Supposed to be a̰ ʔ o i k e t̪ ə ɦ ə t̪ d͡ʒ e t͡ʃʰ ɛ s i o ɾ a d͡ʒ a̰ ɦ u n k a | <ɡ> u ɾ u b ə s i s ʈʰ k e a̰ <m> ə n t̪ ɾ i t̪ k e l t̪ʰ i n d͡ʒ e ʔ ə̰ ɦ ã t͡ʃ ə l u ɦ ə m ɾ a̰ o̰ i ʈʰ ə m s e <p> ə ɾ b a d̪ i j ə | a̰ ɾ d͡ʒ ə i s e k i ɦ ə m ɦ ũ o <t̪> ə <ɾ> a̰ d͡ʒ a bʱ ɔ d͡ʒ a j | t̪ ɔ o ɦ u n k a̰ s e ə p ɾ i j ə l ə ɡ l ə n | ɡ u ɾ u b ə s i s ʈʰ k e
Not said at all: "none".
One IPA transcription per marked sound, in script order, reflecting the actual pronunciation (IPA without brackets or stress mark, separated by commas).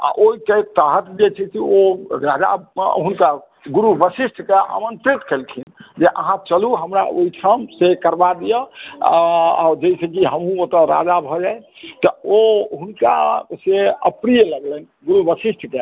ɡ, m, k, t̪, ɾ